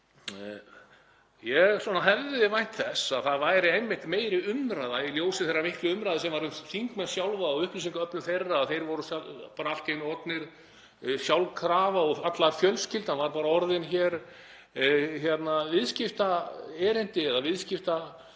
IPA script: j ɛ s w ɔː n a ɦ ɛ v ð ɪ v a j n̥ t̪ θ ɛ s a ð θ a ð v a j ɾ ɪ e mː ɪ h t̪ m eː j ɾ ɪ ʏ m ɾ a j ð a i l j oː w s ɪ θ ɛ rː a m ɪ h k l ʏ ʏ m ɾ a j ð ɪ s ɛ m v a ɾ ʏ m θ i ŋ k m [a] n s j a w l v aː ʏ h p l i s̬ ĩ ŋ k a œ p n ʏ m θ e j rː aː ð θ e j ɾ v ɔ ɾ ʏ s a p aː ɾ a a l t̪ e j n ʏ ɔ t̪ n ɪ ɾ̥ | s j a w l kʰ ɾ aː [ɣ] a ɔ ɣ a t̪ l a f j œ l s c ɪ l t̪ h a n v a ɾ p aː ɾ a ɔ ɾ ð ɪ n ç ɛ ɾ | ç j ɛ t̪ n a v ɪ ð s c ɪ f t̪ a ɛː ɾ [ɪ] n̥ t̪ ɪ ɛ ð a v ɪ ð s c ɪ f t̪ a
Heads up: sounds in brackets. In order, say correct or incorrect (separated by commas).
incorrect, incorrect, correct